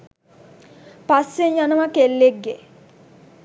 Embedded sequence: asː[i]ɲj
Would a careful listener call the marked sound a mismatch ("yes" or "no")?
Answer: yes